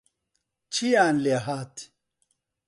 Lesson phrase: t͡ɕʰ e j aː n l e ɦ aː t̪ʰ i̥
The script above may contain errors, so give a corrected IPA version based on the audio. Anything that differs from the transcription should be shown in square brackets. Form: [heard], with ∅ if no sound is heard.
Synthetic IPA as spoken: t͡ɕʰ [i] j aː n l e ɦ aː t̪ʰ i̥